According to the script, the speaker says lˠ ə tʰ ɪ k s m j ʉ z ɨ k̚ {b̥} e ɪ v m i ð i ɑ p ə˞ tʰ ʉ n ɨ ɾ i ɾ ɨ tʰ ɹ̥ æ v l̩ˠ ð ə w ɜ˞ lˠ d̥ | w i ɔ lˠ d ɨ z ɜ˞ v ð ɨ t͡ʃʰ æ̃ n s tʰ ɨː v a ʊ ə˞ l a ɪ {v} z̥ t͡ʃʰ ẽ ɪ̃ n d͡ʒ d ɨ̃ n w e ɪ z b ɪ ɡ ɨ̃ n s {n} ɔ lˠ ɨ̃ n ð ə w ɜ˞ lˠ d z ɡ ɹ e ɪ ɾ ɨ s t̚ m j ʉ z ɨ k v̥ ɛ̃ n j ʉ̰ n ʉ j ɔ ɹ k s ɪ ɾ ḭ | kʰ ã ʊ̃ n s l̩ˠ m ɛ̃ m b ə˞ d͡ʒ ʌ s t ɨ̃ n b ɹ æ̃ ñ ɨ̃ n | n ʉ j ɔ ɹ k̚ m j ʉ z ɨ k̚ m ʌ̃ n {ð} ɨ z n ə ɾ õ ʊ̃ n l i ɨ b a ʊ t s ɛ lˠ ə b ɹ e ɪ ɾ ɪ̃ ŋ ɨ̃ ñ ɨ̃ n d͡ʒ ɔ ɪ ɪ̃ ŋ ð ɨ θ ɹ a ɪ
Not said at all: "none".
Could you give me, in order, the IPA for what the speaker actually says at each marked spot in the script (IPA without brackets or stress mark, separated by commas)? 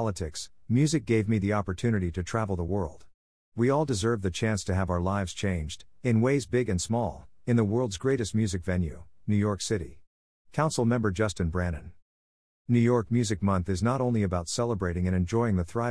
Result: ɡ̥, v, m, θ